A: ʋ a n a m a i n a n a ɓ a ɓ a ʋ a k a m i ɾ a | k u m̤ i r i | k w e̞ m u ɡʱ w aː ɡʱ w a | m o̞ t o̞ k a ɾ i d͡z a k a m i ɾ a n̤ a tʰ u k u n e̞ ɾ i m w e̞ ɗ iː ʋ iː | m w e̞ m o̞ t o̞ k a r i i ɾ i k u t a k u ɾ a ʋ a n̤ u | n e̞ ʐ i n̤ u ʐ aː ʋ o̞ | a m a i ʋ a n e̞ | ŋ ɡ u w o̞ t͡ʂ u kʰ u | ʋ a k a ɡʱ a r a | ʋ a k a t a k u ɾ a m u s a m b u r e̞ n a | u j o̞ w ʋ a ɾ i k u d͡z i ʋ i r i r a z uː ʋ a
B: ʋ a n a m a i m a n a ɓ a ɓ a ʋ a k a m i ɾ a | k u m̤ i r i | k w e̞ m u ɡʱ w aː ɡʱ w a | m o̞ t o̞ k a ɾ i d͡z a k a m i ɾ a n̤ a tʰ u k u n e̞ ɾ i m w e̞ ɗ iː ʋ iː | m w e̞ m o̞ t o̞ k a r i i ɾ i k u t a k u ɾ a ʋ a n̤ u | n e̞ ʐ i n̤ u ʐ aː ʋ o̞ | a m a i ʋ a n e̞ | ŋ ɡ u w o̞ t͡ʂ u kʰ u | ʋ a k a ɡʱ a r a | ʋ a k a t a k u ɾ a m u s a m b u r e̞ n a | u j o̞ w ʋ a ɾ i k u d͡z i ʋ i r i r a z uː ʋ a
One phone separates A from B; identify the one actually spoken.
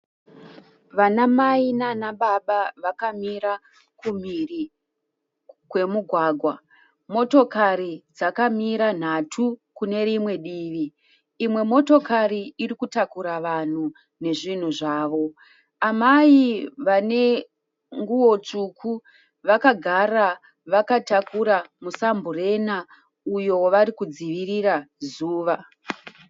A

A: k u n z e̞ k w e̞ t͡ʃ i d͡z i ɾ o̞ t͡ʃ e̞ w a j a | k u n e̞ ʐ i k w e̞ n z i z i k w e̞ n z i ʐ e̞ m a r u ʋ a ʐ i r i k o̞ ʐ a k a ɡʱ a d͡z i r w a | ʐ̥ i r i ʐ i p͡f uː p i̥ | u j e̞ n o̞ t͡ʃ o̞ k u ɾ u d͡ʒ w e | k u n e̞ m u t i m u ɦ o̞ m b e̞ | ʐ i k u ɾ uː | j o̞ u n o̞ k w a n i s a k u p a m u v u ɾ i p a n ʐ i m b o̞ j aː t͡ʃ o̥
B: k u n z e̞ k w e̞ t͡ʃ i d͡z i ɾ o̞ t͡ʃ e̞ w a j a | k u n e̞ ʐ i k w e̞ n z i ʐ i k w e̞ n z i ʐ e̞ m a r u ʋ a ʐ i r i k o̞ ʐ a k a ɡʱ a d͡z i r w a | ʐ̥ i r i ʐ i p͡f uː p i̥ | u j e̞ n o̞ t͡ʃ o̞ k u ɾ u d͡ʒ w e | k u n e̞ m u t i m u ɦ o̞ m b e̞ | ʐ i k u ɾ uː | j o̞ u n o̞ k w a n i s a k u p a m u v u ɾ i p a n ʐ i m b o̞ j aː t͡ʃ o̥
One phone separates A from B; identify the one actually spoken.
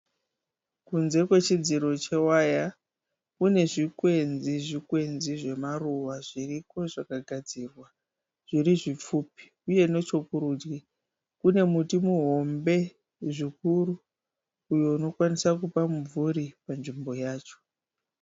B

